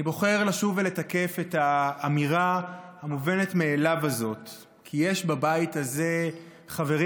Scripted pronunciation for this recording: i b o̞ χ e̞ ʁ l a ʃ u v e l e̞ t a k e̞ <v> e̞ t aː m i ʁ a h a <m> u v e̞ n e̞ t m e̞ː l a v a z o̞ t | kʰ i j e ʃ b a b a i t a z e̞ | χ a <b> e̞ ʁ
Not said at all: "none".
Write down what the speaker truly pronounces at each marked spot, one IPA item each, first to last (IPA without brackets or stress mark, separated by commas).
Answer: f, m, v